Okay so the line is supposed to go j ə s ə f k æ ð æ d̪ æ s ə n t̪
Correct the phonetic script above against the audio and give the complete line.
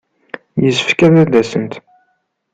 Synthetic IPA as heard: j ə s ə f k æ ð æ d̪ æ s ə n t̪